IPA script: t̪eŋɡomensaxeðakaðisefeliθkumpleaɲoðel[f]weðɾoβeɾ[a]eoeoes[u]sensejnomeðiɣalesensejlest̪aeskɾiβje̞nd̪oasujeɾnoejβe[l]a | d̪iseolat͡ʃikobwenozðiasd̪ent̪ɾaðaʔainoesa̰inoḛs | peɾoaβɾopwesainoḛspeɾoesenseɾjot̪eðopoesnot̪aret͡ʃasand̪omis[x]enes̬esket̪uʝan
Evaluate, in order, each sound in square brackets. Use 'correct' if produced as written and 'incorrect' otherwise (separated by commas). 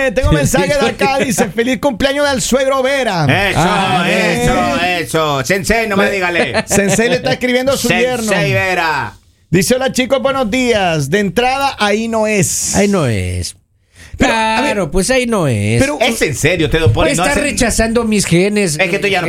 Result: incorrect, correct, incorrect, incorrect, correct